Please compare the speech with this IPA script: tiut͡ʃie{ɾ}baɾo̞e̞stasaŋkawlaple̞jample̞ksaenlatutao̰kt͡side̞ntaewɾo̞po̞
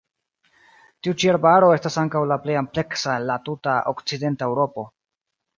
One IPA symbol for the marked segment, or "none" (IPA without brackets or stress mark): ɾ